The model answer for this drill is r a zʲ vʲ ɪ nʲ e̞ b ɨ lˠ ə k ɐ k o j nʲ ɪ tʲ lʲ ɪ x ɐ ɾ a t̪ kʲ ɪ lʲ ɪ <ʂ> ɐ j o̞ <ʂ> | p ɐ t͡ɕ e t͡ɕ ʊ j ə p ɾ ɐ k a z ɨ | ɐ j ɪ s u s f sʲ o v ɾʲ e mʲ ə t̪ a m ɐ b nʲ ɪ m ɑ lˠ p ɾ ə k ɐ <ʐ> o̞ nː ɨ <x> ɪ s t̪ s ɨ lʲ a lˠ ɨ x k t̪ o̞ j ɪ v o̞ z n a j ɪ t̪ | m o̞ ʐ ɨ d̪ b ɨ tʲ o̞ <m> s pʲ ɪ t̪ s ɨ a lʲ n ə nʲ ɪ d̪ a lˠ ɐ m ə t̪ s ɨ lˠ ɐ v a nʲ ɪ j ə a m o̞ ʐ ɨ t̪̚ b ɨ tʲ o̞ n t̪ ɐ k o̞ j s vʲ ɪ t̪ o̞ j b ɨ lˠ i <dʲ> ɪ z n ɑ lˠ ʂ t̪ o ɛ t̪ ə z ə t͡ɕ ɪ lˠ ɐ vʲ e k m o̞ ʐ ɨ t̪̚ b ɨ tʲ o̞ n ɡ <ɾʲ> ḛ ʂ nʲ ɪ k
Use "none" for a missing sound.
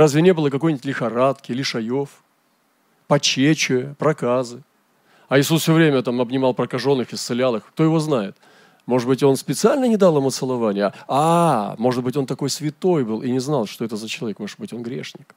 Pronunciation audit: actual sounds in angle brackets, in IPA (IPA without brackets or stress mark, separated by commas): ʂ, f, ʐ, x, n, nʲ, ɾʲ